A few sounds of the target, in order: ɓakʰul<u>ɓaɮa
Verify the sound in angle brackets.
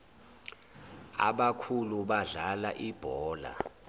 correct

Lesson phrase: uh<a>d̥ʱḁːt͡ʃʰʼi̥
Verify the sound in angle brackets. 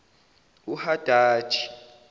correct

